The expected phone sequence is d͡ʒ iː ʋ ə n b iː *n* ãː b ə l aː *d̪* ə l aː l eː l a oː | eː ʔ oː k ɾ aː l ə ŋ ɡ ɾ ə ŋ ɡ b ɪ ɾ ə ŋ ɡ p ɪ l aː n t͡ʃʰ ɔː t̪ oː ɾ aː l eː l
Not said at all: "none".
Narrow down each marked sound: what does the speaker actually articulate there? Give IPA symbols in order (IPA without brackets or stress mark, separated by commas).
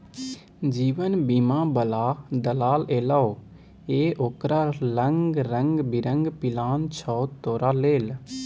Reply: m, d̪